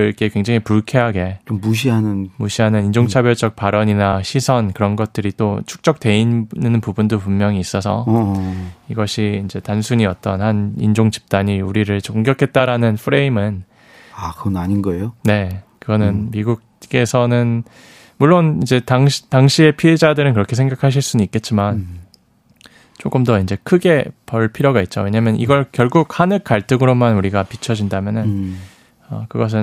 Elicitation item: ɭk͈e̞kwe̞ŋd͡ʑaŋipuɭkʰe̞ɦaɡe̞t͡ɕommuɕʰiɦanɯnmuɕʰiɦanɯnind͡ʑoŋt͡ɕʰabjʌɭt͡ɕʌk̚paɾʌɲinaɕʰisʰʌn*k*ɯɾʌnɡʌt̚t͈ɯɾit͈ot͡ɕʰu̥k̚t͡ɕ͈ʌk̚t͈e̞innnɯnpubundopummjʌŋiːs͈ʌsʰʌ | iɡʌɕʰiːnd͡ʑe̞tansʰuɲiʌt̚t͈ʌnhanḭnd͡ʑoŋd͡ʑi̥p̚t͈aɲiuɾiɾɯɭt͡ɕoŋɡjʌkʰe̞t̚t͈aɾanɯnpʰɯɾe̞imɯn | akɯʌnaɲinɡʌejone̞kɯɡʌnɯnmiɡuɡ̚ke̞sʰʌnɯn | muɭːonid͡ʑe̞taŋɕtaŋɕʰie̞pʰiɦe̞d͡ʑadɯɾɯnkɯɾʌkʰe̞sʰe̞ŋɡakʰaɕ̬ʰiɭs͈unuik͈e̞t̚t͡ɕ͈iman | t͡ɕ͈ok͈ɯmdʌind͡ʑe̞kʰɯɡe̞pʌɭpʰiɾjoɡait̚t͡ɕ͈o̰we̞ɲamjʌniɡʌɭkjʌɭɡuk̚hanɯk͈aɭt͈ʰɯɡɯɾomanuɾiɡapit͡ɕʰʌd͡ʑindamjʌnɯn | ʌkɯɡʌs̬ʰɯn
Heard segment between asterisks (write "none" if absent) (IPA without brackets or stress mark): k